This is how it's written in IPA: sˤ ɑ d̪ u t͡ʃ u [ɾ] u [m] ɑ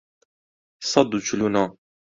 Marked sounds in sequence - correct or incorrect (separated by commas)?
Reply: incorrect, incorrect